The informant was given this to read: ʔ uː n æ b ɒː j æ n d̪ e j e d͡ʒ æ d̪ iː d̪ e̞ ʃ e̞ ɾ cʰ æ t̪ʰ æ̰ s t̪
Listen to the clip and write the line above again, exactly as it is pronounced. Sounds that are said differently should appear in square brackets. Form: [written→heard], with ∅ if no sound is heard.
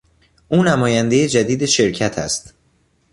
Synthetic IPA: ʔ uː n æ [b→m] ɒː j æ n d̪ e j e d͡ʒ æ d̪ iː d̪ e̞ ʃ e̞ ɾ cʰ æ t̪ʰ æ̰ s t̪